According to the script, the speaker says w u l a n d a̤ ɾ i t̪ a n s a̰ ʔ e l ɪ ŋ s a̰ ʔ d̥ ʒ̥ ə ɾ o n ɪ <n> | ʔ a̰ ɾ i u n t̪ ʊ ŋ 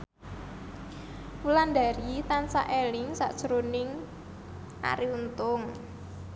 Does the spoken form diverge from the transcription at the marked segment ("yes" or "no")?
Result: yes